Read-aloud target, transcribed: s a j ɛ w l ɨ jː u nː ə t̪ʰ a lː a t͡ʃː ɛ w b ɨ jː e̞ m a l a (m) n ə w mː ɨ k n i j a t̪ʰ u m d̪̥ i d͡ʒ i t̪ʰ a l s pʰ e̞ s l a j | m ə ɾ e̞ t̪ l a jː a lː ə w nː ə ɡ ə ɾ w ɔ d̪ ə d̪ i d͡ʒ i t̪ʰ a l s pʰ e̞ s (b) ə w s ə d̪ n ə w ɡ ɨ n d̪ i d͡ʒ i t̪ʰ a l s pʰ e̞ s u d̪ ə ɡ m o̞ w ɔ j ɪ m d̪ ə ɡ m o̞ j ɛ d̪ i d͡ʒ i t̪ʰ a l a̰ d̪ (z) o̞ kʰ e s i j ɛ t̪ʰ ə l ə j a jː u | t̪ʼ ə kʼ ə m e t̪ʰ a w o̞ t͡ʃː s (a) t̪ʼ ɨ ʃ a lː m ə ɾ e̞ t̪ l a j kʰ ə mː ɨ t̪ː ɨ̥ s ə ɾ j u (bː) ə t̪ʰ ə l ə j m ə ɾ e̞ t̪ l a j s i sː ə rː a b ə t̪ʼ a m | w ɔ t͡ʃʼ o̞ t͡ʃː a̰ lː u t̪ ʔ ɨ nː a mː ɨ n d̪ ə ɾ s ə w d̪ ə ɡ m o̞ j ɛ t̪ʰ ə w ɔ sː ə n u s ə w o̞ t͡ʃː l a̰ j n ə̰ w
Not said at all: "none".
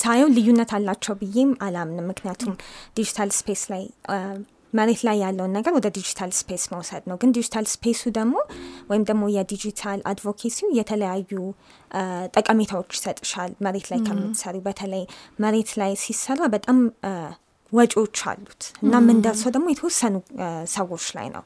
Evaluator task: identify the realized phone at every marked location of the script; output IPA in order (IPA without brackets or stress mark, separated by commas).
m, m, v, ə, b